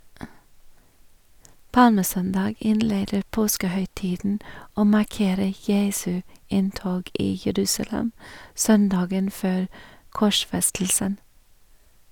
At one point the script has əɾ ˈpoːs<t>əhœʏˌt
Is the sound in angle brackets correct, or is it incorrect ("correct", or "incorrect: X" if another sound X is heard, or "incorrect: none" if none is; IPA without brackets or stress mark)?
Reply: incorrect: k